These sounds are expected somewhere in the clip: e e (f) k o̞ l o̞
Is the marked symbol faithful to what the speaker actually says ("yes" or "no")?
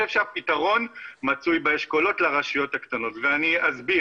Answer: no